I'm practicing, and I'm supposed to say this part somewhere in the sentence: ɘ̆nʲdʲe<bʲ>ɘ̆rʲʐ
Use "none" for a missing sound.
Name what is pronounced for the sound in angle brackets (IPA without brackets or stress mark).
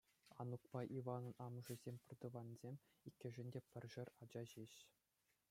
pʲ